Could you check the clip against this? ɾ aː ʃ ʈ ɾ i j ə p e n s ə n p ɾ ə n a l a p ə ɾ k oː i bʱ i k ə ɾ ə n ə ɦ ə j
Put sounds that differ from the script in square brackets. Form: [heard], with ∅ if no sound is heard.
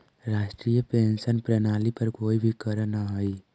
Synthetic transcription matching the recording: ɾ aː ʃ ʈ ɾ i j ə p e n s ə n p ɾ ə n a l [i] p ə ɾ k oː i bʱ i k ə ɾ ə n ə ɦ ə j